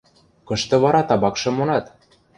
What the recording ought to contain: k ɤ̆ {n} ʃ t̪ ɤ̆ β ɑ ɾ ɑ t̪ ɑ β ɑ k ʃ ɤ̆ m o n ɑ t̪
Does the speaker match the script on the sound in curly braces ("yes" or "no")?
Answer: no